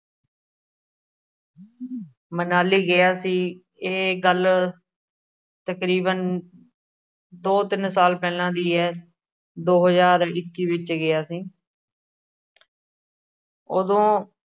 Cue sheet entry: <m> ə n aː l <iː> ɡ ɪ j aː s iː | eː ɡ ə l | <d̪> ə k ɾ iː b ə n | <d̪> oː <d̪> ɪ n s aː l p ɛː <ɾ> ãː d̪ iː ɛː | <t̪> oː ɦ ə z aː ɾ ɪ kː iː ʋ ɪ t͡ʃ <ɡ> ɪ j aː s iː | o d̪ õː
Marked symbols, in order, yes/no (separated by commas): yes, yes, no, yes, no, no, no, yes